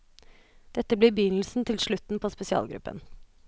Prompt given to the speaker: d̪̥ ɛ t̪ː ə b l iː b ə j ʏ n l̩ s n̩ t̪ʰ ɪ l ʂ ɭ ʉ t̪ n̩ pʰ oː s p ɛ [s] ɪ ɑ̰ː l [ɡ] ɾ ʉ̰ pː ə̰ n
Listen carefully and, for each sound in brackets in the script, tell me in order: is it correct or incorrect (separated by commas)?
correct, correct